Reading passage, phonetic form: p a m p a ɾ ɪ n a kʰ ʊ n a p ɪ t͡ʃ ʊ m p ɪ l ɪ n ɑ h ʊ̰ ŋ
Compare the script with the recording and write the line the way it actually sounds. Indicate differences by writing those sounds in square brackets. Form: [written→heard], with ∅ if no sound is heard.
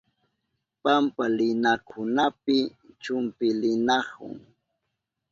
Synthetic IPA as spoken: p a m p a [ɾ→l] ɪ n a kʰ ʊ n a p ɪ t͡ʃ ʊ m p ɪ l ɪ n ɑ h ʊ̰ ŋ